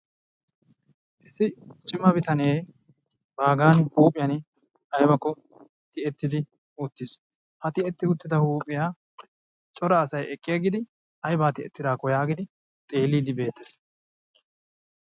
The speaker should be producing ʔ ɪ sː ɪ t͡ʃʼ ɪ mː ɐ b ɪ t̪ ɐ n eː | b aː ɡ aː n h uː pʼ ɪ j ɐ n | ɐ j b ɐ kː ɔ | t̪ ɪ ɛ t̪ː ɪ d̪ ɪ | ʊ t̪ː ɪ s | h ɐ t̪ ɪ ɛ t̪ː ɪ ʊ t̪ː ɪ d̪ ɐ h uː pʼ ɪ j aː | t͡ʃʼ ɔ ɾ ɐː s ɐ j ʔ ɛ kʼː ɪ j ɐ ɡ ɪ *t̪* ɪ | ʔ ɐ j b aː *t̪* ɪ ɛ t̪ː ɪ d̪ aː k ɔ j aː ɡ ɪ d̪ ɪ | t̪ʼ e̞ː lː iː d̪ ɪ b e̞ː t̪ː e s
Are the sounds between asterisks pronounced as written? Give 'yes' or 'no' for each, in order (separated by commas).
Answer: no, yes